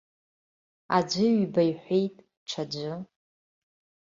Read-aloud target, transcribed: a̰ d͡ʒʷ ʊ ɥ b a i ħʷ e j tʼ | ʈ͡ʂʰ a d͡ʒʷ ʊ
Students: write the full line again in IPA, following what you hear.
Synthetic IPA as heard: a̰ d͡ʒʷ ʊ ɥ b a j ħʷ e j tʼ | ʈ͡ʂʰ a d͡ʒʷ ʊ